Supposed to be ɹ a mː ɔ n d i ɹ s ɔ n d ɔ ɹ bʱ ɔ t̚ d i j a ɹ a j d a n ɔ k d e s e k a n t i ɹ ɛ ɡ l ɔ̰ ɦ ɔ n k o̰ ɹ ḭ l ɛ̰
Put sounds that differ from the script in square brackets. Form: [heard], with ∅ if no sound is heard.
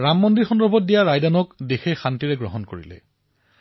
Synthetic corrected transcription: ɹ a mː ɔ n d i ɹ [x] ɔ n d ɔ ɹ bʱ ɔ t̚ d i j a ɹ a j d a n ɔ k d e [x] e [x] a n t i ɹ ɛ ɡ [ɹ] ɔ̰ ɦ ɔ n k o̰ ɹ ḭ l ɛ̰